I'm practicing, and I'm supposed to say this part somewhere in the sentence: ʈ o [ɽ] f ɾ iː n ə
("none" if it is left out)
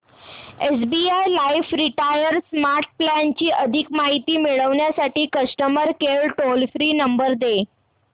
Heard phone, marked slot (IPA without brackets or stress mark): l